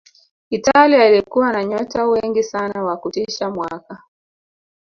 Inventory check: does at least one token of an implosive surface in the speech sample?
no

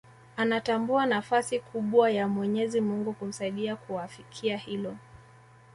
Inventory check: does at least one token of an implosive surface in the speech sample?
yes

